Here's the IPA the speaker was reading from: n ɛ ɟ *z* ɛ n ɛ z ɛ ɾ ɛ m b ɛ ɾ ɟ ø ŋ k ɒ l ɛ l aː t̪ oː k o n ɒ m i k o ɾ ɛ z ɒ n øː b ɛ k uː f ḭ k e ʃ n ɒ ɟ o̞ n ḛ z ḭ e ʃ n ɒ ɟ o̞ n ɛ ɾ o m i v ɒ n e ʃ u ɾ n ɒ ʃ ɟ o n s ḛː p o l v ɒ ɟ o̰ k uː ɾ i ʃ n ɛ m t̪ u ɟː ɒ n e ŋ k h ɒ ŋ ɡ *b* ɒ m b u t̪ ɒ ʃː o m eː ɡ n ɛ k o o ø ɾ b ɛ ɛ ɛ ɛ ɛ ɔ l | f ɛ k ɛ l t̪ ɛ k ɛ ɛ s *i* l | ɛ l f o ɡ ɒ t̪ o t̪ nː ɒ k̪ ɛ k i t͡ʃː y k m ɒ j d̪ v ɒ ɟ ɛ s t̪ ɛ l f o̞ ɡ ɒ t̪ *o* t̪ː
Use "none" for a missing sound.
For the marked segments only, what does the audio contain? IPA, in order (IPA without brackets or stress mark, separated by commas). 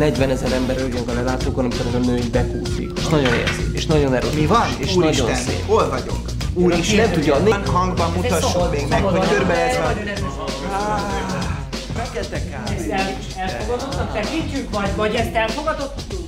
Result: v, b, ɛ, o